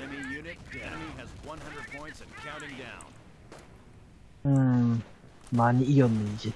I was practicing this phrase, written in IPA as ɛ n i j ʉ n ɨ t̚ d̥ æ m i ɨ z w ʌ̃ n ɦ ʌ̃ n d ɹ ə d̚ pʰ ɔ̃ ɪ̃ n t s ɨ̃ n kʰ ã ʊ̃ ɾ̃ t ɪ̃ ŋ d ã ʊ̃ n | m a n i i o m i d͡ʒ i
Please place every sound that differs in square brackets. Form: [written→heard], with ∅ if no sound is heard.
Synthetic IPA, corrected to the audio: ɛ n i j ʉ n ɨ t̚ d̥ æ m i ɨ z w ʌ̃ n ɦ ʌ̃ n d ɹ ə d̚ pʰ ɔ̃ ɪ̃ n t s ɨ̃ n kʰ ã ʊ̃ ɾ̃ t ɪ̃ ŋ d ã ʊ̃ n | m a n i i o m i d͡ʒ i